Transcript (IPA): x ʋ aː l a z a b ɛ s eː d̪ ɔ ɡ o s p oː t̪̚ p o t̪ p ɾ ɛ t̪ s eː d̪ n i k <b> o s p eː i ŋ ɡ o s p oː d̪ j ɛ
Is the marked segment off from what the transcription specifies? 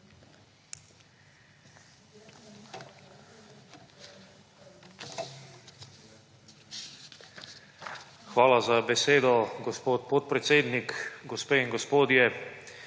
yes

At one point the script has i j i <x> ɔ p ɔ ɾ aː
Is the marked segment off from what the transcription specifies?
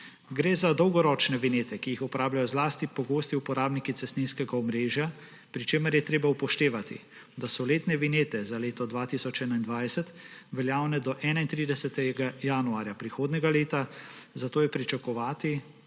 no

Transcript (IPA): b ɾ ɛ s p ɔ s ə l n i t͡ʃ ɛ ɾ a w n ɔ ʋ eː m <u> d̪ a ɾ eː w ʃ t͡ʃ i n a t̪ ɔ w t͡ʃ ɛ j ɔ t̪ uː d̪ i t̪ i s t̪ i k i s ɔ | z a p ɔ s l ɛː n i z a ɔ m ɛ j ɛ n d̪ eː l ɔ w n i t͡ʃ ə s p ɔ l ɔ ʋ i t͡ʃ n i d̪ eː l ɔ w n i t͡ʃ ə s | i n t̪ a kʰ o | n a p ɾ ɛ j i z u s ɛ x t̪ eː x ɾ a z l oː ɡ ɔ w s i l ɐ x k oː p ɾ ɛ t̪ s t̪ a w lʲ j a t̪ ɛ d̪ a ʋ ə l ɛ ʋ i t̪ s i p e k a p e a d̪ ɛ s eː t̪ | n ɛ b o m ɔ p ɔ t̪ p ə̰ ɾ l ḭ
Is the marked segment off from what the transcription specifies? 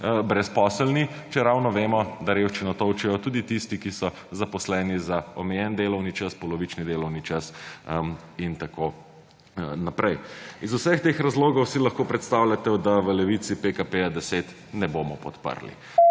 yes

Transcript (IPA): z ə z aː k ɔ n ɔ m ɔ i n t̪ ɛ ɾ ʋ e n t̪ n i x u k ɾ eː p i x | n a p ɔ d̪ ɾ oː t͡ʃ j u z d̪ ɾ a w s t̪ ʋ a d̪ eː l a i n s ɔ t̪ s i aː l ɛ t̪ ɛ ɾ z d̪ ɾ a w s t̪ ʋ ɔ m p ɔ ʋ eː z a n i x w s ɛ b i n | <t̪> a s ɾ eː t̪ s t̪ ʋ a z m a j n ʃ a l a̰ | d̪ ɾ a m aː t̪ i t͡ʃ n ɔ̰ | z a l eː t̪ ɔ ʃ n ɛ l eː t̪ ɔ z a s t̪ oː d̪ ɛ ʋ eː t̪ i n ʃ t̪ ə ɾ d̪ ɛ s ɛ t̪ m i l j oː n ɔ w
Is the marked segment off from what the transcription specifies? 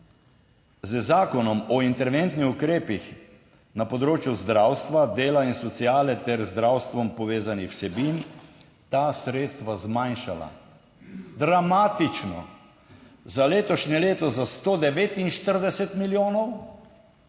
no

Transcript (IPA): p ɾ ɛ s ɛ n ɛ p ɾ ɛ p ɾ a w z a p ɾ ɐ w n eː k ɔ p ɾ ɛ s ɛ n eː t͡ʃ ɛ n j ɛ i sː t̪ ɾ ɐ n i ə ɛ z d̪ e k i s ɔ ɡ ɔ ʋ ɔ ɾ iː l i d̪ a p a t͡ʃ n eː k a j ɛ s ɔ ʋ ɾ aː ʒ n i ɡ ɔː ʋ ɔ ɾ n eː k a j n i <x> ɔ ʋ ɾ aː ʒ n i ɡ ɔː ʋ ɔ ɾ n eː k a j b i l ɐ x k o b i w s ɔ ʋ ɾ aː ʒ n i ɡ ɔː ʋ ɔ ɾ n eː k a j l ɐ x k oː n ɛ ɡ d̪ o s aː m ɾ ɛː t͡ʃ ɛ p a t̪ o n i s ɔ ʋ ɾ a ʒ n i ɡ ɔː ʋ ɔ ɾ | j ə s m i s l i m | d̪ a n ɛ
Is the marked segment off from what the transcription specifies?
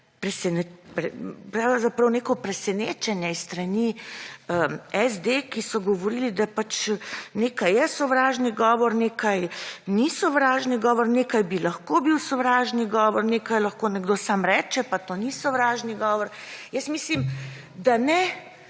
yes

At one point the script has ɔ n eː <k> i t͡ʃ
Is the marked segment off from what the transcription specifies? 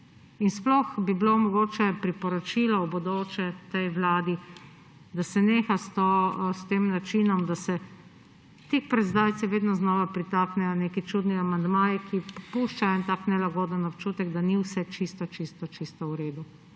no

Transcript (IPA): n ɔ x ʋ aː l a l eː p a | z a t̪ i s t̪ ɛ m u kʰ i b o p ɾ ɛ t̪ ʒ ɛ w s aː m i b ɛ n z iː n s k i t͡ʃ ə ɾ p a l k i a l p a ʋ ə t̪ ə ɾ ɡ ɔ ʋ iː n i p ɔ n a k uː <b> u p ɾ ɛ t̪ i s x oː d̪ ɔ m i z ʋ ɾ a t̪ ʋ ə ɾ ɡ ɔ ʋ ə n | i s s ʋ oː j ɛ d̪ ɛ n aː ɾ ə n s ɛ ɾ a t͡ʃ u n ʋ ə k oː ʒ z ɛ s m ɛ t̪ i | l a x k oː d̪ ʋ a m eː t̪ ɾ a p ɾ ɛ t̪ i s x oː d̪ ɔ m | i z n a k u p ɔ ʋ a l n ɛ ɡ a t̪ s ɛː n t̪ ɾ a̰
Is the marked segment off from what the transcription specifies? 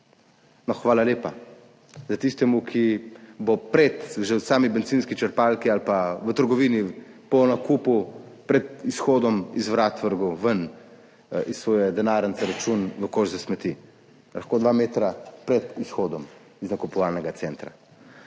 yes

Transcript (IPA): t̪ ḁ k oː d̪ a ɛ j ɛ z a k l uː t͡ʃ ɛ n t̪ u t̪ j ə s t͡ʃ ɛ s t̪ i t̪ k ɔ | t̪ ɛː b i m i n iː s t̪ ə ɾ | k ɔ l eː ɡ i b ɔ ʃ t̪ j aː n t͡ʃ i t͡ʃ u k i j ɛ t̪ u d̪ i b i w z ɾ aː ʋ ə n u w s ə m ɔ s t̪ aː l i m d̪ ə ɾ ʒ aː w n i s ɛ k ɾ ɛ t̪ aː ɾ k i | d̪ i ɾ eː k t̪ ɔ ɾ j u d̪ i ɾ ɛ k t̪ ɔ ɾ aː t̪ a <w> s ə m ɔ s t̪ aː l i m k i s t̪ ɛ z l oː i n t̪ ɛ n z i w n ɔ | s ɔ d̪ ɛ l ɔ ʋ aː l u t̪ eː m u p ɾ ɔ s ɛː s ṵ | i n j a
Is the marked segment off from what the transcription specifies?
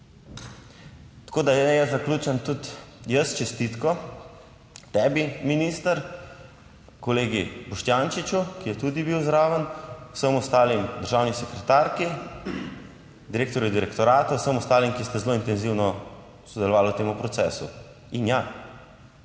no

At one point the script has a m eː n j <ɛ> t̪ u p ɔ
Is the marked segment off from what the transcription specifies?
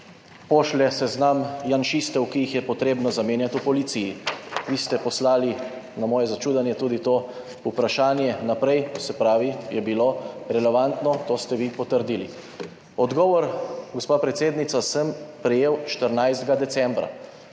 yes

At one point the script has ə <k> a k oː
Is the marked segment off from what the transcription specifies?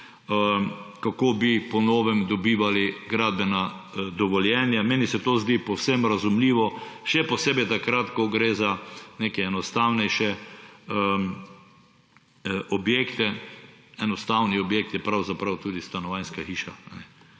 no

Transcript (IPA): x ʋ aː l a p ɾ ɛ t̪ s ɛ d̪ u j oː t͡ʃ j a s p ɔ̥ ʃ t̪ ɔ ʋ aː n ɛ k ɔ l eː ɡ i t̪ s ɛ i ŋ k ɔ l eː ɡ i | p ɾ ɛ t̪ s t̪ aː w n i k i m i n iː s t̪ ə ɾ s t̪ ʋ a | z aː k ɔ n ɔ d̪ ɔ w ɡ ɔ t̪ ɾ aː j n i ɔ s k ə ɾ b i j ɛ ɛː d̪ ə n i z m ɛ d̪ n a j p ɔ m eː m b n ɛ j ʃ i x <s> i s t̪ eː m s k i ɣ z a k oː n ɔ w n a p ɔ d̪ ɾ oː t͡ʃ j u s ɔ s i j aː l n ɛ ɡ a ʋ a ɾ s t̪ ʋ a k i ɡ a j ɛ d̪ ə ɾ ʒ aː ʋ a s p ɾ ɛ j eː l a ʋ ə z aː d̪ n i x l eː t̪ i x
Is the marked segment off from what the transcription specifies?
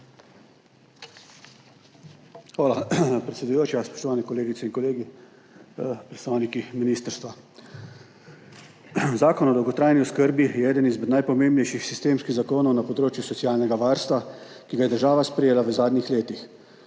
no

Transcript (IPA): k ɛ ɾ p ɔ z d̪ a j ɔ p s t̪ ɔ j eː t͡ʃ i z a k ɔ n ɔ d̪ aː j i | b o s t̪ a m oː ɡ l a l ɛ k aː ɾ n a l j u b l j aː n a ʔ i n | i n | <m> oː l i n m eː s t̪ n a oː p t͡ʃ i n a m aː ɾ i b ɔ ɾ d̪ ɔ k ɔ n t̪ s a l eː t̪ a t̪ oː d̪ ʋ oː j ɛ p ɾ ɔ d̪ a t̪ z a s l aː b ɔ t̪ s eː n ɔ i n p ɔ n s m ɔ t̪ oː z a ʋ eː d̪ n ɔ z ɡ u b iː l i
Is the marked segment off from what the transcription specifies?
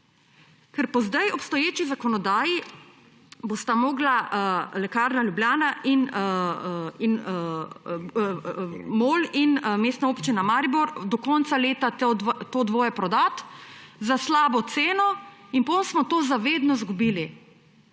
no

